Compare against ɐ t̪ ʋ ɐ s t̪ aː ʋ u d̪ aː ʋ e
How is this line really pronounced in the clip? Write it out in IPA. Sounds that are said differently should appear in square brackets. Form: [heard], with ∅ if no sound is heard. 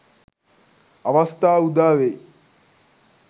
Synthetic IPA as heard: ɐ [∅] ʋ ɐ s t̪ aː [∅] u d̪ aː ʋ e